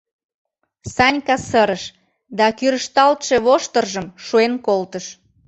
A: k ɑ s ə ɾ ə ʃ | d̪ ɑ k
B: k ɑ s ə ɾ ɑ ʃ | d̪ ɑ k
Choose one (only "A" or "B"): A